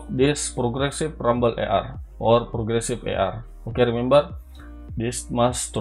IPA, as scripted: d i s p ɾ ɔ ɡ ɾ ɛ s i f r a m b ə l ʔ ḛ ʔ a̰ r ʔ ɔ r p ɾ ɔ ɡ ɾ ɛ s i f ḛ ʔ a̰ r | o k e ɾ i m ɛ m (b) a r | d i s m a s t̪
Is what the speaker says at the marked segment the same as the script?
yes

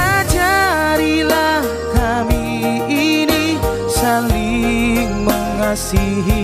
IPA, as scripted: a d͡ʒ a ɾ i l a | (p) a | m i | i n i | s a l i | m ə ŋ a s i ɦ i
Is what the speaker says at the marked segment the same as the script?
no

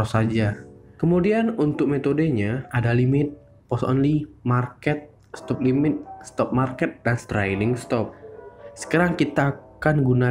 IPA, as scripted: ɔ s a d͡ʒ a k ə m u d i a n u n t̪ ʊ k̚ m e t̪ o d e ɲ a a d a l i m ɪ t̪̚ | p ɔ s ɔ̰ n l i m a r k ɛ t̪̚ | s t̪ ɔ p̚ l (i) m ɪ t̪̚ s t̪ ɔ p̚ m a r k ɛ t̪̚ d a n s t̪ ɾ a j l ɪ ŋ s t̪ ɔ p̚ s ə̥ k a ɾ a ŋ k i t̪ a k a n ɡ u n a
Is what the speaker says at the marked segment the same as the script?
yes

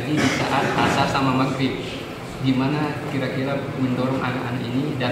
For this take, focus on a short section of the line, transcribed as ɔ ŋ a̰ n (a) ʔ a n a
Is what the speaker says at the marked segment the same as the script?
yes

